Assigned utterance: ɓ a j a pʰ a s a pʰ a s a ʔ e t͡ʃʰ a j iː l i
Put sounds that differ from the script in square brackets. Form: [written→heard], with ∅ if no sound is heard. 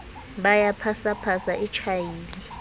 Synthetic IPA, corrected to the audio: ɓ a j a pʰ a s a pʰ a s a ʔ [e→i] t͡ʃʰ a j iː l i